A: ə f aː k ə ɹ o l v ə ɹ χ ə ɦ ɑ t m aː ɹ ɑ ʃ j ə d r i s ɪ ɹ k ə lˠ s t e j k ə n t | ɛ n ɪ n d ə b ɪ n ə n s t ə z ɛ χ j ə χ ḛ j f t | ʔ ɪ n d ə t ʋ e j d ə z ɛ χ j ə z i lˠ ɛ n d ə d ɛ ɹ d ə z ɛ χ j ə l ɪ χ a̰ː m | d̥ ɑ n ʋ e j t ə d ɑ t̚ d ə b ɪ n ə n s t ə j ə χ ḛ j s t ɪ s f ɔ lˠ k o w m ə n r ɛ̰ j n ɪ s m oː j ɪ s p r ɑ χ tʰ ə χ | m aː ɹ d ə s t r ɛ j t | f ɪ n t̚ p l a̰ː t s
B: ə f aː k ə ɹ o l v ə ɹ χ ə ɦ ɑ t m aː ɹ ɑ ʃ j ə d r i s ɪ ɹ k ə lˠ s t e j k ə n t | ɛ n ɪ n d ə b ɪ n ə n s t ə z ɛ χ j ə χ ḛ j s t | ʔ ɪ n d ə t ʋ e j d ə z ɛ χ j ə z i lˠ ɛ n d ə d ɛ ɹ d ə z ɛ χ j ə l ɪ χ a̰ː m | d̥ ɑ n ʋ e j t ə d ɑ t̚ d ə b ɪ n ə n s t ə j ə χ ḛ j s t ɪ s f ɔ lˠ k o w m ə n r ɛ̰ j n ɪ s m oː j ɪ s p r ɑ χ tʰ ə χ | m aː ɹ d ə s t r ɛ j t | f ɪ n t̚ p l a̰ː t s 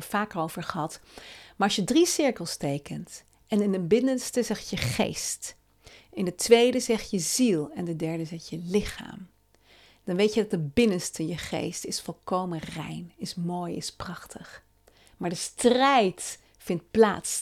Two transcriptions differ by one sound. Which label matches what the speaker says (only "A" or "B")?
B